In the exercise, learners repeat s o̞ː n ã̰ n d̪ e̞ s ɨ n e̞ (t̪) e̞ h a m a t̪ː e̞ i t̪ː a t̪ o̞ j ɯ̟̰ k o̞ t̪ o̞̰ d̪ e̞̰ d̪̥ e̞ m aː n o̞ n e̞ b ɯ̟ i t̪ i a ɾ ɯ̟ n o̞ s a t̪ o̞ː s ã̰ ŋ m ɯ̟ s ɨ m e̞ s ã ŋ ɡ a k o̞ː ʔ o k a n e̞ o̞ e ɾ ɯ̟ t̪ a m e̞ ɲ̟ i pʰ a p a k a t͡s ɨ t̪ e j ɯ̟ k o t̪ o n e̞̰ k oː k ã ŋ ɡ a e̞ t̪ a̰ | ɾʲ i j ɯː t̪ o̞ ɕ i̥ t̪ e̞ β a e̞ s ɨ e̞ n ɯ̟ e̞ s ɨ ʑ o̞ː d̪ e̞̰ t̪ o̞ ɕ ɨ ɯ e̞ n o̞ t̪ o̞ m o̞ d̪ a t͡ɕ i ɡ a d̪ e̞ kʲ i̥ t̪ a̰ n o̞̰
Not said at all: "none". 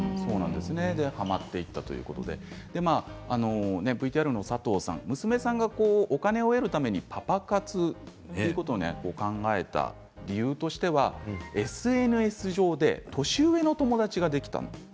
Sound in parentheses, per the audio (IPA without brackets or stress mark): d̪